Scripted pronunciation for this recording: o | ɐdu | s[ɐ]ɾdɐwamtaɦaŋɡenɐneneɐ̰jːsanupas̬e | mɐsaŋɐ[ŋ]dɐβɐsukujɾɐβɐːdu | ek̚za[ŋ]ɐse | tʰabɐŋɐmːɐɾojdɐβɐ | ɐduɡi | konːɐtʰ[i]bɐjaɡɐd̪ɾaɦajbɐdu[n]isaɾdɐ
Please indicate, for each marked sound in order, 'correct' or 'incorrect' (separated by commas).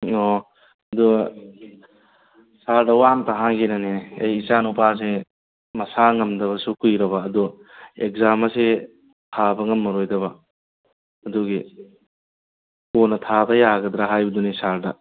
incorrect, incorrect, incorrect, incorrect, correct